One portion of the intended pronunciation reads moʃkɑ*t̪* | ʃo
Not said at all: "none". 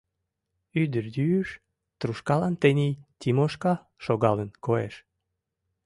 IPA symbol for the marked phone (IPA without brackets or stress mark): none